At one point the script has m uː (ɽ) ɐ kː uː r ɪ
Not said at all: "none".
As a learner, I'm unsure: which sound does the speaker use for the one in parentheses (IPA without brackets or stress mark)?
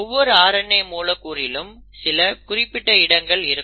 l